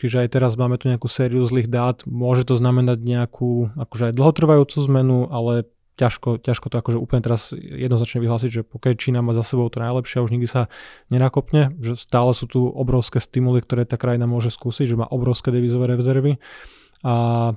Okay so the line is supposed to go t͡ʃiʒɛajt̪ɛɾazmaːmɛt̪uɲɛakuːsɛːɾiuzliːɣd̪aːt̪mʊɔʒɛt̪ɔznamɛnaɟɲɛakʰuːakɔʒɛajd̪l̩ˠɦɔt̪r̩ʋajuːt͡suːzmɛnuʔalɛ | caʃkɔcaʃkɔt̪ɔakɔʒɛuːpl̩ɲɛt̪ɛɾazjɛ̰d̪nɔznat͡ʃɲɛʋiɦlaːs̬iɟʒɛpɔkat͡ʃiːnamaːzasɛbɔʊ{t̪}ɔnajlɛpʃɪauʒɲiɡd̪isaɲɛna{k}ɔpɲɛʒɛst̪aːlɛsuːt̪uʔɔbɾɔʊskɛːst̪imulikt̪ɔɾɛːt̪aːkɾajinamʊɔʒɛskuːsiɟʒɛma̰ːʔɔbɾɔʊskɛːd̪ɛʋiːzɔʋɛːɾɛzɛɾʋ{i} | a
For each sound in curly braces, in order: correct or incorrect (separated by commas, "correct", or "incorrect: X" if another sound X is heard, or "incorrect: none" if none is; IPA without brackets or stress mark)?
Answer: correct, correct, correct